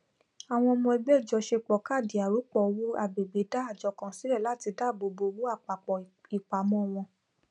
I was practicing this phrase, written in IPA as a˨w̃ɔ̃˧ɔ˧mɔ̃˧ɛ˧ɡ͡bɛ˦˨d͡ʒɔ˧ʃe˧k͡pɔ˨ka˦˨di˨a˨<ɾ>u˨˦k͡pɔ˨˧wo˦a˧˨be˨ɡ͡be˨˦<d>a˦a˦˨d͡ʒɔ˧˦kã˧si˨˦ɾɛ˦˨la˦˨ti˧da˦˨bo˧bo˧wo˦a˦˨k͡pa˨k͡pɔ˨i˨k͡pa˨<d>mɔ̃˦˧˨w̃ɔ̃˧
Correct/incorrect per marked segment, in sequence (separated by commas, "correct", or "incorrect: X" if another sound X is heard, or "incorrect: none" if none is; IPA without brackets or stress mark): correct, correct, incorrect: none